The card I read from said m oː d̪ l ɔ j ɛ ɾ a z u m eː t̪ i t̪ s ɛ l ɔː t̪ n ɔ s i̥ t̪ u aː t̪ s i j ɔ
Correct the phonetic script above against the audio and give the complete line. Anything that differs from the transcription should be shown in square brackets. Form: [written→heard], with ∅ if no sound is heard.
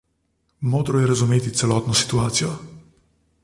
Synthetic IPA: m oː d̪ [l→ɾ] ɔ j ɛ ɾ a z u m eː t̪ i t̪ s ɛ l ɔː t̪ n ɔ s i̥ t̪ u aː t̪ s i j ɔ